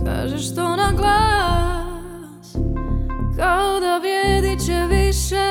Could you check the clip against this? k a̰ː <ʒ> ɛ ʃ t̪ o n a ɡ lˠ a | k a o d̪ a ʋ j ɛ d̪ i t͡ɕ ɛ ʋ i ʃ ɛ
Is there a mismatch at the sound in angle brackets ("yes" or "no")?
no